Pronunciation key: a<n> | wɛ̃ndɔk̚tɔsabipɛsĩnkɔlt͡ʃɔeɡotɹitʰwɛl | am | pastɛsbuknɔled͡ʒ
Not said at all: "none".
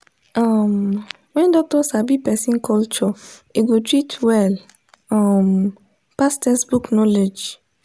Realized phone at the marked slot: m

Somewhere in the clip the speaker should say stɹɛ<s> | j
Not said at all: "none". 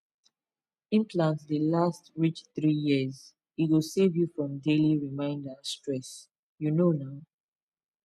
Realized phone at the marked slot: s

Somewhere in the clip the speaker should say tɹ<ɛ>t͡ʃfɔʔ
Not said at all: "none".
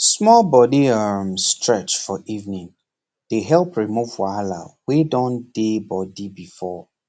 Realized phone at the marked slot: ɛ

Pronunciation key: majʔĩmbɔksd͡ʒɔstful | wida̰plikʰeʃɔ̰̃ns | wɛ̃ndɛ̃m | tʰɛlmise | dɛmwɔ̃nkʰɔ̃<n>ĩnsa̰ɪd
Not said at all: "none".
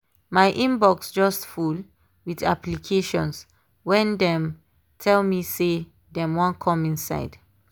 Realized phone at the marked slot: m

